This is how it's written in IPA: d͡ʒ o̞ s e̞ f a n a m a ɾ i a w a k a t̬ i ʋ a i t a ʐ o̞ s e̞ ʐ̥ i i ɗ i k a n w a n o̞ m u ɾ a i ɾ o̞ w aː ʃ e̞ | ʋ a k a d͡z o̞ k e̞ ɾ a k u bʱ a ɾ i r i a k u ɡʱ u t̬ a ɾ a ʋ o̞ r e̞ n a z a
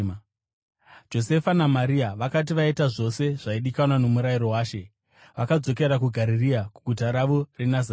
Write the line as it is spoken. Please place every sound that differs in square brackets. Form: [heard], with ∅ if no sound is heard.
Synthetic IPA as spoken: d͡ʒ o̞ s e̞ f a n a m a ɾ i a [ʋ] a k a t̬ i ʋ a i t a ʐ o̞ s e̞ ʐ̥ [a] i ɗ i k a n w a n o̞ m u ɾ a i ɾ o̞ w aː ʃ e̞ | ʋ a k a d͡z o̞ k e̞ ɾ a k u [ɡʱ] a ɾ i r i a k u ɡʱ u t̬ a ɾ a ʋ o̞ r e̞ n a z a